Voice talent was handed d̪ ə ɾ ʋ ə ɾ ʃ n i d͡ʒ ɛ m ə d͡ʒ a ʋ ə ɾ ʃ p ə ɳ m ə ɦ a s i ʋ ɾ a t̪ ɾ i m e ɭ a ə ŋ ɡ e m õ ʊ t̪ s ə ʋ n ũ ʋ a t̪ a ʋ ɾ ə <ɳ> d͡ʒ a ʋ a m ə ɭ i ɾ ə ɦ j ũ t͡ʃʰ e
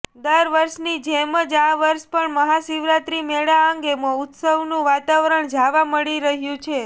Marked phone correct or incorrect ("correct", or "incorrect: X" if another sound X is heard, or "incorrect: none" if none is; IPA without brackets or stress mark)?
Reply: correct